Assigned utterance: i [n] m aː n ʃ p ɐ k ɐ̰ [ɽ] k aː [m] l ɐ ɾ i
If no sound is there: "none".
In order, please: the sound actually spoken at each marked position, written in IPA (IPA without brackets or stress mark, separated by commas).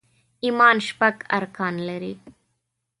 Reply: none, ɾ, n